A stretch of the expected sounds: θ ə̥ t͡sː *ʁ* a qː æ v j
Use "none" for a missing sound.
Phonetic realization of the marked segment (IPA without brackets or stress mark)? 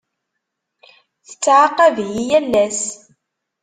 ʕ